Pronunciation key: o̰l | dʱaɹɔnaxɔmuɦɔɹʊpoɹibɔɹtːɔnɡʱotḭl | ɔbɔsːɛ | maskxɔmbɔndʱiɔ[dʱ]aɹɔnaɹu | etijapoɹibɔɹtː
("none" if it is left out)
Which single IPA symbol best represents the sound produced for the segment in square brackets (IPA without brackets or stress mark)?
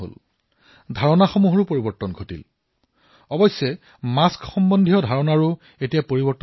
dʱ